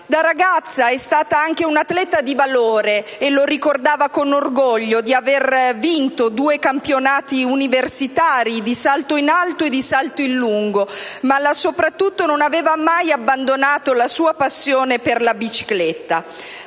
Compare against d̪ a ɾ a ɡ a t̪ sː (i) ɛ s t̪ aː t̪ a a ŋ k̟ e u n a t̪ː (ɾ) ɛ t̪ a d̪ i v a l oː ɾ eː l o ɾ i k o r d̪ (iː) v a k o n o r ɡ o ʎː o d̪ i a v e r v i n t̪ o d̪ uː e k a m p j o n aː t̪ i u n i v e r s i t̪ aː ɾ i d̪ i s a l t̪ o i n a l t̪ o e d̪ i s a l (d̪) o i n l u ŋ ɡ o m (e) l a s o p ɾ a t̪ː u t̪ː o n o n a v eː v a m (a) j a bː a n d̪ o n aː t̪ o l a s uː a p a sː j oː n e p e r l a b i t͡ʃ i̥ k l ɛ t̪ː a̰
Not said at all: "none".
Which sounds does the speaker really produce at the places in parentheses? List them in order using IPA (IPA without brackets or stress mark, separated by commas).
a, l, aː, t̪, a, a